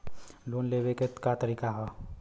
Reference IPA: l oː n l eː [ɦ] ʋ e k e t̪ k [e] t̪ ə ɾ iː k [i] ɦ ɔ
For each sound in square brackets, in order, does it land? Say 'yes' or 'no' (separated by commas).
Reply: no, no, no